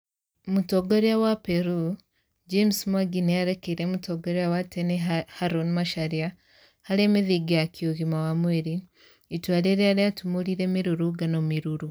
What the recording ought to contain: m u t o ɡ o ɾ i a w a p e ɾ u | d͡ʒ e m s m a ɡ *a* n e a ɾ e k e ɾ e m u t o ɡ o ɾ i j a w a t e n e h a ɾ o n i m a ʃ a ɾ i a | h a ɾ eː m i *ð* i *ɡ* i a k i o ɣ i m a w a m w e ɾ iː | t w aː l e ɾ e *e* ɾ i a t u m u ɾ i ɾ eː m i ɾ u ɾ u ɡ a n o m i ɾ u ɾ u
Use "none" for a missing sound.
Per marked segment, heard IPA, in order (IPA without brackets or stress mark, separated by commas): i, ð, ɡ, a